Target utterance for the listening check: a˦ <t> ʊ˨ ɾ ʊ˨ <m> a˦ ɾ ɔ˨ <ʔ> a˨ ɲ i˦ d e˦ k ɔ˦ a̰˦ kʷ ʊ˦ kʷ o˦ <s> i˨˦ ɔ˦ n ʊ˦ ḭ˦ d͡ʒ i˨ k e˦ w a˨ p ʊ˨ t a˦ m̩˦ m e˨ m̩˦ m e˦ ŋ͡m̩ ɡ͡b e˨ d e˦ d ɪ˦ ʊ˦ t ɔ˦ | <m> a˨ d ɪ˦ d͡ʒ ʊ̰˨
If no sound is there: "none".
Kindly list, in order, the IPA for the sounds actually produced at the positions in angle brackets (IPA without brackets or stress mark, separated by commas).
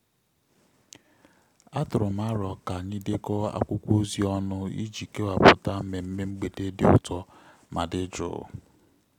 t, m, k, z, m